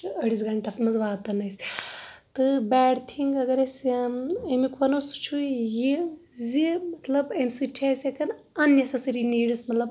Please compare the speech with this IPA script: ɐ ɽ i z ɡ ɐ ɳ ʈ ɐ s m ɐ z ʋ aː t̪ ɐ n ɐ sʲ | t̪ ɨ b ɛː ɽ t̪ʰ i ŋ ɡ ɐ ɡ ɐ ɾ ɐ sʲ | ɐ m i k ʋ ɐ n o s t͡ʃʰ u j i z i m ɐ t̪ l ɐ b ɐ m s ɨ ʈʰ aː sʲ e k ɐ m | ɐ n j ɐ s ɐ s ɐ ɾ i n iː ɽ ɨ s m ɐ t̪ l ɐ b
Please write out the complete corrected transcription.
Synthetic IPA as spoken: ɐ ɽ i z ɡ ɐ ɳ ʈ ɐ s m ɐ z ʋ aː t̪ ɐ n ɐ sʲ | t̪ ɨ b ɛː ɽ t̪ʰ i ŋ ɡ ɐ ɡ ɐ ɾ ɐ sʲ | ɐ m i k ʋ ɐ n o s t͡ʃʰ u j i z i m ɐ t̪ l ɐ b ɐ m s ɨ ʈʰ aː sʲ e k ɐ n | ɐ n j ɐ s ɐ s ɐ ɾ i n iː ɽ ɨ s m ɐ t̪ l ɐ b